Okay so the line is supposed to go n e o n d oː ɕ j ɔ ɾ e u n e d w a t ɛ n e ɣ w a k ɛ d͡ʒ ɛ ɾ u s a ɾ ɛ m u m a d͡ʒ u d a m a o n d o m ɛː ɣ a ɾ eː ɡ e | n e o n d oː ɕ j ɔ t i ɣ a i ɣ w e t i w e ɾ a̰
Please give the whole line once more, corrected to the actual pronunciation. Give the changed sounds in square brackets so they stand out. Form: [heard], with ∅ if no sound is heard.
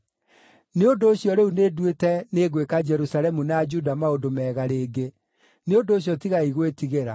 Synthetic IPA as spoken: n e o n d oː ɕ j ɔ ɾ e u n e d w [e] t ɛ n e ɣ w [e] k [a] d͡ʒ ɛ ɾ u s a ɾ ɛ m u [n] a d͡ʒ u d a m a o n d o m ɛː ɣ a ɾ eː ɡ e | n e o n d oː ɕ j ɔ t i ɣ a i ɣ w e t i [ɣ] e ɾ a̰